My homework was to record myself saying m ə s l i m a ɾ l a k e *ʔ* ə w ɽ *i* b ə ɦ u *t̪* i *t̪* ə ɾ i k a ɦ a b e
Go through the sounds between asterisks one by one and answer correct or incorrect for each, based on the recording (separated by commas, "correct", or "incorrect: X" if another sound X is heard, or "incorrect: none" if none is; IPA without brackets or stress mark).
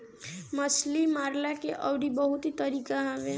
correct, correct, correct, correct